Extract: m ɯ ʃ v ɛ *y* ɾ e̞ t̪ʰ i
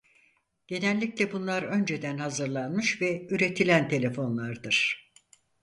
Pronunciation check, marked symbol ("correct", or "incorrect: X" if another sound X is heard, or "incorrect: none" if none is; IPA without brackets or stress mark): correct